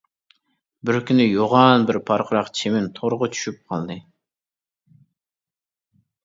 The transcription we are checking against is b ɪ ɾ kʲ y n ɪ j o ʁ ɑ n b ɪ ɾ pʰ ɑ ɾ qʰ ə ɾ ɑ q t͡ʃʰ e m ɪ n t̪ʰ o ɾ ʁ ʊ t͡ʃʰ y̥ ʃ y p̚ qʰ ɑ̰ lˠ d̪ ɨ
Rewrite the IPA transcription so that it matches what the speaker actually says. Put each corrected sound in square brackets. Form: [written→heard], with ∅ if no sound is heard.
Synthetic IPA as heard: b ɪ ɾ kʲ y n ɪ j o ʁ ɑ n b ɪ ɾ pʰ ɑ ɾ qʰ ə ɾ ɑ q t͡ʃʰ e m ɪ n t̪ʰ o ɾ ʁ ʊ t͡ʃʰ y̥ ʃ y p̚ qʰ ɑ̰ lˠ d̪ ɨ